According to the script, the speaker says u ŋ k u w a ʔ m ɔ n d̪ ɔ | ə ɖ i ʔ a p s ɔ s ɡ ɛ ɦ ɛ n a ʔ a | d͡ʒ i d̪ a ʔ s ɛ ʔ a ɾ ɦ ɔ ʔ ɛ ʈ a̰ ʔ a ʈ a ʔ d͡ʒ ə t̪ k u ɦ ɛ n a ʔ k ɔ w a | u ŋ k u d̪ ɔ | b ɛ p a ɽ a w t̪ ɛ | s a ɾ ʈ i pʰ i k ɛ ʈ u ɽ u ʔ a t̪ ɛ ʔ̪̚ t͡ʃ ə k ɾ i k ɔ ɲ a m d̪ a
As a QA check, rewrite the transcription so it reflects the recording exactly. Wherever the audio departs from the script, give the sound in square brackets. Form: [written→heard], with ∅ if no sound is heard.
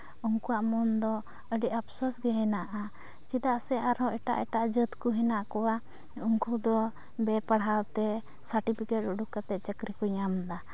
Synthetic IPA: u ŋ k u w a ʔ m ɔ n d̪ ɔ | ə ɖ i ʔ a p s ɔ s ɡ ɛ ɦ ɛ n a ʔ a | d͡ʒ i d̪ a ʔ s ɛ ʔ a ɾ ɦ ɔ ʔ ɛ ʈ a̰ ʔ [a→ɛ] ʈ a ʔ d͡ʒ ə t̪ k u ɦ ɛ n a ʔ k ɔ w a | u ŋ k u d̪ ɔ | b ɛ p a ɽ a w t̪ ɛ | s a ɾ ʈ i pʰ i k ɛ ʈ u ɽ u [ʔ→k] a t̪ ɛ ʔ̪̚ t͡ʃ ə k ɾ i k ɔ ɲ a m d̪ a